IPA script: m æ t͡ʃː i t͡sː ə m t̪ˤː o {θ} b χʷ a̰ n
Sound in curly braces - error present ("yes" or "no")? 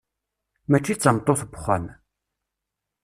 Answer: no